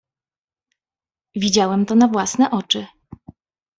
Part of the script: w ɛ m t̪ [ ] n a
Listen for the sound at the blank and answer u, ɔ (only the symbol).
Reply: ɔ